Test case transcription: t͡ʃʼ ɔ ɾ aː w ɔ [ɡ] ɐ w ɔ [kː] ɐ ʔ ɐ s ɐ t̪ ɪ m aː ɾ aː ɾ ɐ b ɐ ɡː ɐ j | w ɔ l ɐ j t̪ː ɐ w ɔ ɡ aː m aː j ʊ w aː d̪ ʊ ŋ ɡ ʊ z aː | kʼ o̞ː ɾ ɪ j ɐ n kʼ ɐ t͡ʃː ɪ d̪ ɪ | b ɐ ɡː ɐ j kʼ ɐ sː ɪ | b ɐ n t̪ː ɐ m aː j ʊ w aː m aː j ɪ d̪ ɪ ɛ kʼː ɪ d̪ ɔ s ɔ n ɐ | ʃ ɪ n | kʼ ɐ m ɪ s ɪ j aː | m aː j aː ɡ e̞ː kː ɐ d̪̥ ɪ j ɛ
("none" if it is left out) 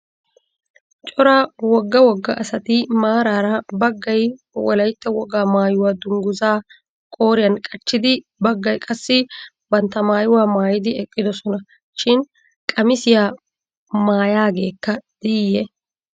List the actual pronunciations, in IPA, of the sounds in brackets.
ɡː, ɡː

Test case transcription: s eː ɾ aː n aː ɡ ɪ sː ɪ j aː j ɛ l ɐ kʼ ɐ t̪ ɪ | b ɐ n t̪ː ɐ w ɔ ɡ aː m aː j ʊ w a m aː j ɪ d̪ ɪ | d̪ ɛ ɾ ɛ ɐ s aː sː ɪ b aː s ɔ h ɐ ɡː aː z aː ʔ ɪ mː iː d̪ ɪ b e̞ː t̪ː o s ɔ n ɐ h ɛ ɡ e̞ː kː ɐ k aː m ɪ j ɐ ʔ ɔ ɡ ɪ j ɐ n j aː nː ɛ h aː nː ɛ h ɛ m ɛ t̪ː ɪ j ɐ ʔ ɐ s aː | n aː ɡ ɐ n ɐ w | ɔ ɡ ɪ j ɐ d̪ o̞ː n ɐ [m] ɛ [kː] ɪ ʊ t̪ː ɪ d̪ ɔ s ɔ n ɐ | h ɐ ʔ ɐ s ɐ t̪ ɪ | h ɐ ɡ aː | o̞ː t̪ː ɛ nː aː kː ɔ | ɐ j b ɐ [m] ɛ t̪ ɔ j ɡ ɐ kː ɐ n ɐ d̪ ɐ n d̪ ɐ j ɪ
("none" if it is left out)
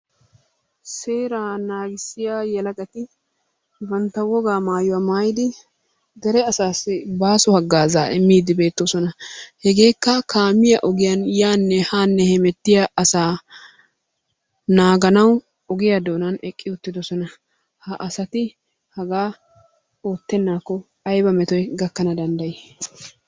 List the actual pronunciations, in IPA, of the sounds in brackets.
n, kʼː, m

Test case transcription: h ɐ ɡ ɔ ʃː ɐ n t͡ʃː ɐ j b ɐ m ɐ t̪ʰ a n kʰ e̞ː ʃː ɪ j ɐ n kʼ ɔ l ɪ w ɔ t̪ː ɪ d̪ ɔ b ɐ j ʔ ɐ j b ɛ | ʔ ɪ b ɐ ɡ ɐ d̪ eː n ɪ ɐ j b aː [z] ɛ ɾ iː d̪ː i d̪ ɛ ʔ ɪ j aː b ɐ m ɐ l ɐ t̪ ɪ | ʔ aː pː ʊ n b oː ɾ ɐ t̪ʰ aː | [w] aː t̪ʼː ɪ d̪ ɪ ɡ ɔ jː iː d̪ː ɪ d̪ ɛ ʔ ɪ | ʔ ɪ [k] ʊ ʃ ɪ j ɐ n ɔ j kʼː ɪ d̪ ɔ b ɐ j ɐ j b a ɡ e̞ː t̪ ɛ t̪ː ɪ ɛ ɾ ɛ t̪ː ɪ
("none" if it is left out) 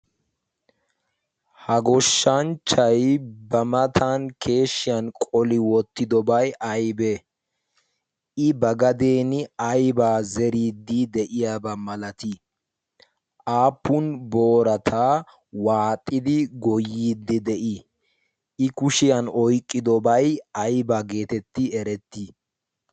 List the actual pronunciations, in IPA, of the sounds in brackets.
z, w, k

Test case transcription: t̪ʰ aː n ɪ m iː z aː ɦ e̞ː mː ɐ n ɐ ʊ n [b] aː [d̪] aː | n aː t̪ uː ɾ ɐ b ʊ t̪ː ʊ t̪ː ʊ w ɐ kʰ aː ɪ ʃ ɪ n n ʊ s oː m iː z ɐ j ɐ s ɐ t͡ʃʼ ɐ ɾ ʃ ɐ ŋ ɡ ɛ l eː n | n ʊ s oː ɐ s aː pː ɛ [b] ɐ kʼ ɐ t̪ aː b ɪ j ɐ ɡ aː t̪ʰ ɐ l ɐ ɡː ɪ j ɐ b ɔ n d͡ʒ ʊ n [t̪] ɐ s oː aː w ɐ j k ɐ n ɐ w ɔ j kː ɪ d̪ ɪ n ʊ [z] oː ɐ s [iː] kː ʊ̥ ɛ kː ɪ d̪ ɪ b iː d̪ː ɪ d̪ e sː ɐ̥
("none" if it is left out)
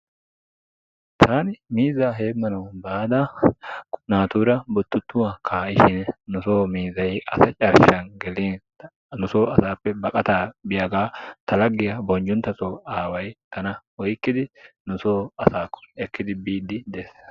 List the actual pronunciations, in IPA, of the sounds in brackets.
b, d̪, b, t̪, s, aː

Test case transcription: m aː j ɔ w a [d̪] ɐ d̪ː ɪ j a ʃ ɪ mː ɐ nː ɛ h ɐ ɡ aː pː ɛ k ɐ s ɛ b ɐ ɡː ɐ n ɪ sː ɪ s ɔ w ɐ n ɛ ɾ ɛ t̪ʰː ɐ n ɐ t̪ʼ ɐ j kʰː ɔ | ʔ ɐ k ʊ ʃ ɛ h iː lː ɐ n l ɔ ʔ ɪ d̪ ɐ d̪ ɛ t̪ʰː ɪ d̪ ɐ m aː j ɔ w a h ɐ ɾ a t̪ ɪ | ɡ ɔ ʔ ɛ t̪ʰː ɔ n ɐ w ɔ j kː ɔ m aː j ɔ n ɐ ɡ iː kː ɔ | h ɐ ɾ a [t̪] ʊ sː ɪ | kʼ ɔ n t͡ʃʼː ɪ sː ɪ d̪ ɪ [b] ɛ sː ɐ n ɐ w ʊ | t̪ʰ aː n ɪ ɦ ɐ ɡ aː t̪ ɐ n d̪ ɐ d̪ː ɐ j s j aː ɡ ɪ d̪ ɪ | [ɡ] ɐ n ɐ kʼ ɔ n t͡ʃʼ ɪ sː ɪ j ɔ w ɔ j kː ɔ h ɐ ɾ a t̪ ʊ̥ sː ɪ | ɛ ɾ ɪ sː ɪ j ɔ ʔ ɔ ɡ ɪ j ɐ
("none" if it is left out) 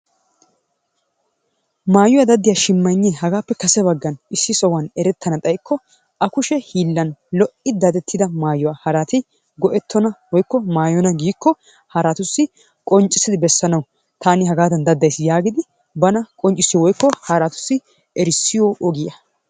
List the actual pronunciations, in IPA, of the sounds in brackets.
d̪, t̪, b, b

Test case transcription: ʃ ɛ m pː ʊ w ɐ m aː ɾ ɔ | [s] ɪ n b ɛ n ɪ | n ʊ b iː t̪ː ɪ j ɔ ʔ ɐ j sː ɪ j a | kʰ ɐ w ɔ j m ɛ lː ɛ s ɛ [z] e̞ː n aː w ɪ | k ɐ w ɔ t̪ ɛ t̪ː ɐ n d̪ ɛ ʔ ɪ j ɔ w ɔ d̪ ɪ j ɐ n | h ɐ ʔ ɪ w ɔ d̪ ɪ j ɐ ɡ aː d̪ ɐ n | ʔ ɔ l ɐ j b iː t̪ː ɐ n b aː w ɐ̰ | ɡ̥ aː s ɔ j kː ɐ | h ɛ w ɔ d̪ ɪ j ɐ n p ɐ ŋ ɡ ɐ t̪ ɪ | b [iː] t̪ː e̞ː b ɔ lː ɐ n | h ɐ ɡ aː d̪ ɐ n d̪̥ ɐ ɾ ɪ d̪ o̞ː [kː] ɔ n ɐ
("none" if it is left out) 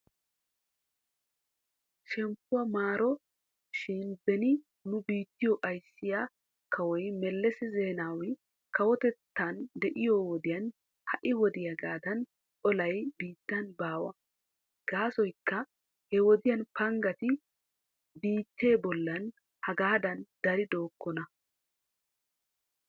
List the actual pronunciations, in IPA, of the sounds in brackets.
ʃ, z, iː, kː

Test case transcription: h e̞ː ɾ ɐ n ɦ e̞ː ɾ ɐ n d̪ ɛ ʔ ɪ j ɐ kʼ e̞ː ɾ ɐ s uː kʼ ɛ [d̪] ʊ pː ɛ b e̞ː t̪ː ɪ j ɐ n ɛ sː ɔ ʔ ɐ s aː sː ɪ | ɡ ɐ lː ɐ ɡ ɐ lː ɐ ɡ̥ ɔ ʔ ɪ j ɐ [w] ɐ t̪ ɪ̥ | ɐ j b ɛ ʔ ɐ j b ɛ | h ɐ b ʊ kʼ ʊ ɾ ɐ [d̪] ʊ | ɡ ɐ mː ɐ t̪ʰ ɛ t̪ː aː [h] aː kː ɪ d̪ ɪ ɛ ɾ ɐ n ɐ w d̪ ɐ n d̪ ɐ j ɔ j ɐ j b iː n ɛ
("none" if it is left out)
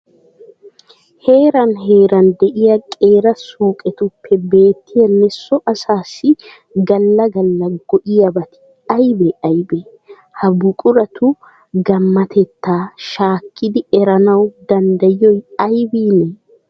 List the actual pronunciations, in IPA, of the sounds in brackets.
t̪, b, t̪, ʃ

